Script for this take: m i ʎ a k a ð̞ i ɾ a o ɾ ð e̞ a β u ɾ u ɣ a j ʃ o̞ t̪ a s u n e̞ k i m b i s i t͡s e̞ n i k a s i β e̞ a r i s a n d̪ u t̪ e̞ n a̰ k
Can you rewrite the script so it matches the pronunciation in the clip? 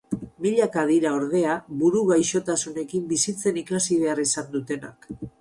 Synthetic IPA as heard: m i ʎ a k a ð̞ i ɾ a o ɾ ð e̞ a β u ɾ u ɣ a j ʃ o̞ t̪ a s u n e̞ k i m b i s i t͡s e̞ n i k a s i β e̞ a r i s a n d̪ u t̪ e̞ n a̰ k